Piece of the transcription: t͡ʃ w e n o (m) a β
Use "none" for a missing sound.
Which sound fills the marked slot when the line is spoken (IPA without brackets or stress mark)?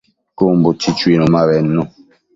m